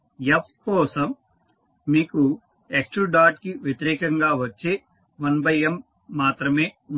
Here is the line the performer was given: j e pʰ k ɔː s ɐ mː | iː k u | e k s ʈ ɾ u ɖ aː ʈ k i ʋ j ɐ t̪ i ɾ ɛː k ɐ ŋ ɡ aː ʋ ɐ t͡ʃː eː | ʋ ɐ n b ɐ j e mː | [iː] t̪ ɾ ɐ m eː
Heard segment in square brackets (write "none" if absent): aː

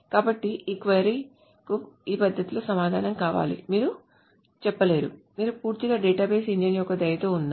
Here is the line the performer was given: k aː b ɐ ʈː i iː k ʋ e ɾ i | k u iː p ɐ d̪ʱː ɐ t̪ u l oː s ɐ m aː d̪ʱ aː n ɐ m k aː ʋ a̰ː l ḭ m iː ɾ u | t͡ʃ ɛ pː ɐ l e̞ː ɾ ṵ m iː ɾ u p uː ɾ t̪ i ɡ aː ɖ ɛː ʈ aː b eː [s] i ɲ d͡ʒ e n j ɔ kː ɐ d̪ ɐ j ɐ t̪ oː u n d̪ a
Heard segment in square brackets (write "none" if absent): s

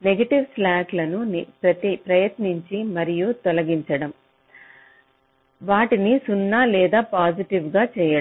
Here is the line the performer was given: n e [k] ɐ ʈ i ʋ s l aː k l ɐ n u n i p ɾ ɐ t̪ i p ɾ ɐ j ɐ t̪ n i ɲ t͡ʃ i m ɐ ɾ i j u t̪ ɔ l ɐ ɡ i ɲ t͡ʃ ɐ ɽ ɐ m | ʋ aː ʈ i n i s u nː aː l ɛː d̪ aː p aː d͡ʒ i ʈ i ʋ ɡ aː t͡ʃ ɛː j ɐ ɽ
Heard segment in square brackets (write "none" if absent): ɡ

